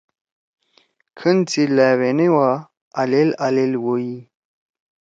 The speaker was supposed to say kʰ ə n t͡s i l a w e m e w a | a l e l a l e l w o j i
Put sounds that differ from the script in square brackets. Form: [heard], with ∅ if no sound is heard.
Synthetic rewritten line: kʰ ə n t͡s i l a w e [n] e w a | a l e l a l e l w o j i